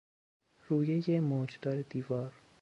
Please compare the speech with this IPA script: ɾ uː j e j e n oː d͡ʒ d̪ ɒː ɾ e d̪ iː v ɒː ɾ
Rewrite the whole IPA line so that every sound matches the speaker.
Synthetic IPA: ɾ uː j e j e m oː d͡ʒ d̪ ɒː ɾ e d̪ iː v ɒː ɾ